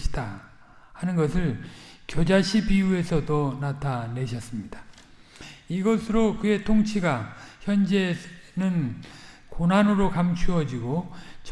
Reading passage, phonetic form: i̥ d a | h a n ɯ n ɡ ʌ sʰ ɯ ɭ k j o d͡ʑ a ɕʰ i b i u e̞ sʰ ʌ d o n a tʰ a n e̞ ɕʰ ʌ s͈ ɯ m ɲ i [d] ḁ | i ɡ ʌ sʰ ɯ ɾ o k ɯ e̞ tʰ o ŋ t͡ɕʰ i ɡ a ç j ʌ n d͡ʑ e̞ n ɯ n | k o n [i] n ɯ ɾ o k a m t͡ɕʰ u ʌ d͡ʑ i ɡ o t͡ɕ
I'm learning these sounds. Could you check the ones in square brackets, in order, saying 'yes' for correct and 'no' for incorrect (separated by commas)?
yes, no